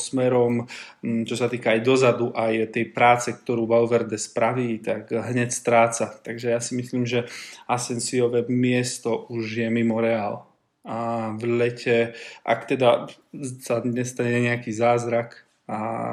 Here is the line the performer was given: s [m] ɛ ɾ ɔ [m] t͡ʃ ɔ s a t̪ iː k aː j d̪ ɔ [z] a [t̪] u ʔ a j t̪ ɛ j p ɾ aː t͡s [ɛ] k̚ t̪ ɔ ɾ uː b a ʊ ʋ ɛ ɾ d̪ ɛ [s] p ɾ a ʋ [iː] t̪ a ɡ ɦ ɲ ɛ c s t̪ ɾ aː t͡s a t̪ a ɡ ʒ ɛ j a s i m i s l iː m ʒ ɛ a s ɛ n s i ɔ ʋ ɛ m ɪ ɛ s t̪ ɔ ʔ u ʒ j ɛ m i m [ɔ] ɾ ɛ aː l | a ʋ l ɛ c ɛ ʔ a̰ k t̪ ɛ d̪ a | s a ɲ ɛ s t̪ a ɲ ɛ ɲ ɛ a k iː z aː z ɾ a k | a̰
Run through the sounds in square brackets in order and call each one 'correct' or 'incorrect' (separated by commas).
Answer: correct, correct, correct, incorrect, correct, correct, correct, correct